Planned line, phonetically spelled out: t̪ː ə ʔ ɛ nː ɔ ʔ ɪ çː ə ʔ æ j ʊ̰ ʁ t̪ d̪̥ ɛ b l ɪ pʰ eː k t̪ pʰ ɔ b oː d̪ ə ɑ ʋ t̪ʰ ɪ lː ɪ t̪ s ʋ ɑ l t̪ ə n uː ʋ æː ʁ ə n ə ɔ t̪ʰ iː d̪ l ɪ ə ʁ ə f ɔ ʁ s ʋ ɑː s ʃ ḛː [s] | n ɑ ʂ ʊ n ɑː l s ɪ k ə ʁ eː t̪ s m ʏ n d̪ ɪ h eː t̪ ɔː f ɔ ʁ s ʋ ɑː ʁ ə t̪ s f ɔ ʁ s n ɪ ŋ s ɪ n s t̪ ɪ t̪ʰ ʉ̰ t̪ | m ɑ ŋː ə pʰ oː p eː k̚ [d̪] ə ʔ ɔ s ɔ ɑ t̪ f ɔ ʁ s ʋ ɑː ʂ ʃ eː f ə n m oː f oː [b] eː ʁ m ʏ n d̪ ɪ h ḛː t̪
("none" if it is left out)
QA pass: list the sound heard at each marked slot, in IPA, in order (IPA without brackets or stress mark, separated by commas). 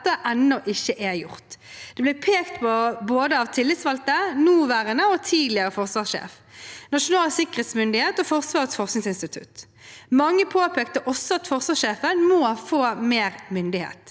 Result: f, t̪, m